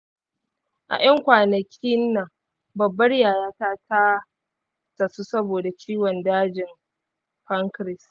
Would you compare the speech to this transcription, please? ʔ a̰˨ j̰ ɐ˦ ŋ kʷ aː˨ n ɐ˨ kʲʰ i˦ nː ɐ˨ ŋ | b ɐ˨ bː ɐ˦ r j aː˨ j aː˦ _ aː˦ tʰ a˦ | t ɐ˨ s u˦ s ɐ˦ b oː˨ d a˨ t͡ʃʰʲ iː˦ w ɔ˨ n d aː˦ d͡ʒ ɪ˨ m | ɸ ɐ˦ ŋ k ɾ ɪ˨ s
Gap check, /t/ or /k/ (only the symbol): t